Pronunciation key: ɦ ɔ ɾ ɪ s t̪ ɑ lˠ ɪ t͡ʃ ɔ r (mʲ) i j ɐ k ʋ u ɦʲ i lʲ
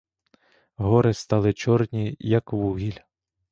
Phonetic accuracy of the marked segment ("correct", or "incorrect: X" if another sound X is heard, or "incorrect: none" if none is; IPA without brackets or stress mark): incorrect: nʲ